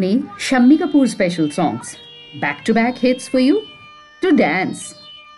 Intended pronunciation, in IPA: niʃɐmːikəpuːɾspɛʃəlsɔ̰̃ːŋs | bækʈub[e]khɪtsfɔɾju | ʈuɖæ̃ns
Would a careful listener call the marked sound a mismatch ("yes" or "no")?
yes